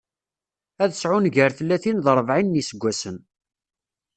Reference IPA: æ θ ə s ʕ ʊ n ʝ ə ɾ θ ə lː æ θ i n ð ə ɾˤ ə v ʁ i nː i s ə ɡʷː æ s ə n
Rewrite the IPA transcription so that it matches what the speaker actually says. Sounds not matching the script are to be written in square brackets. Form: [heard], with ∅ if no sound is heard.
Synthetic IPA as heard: æ [ð] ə s ʕ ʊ n ʝ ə ɾ θ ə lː æ θ i n ð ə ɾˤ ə v [ʕ] i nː i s ə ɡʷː æ s ə n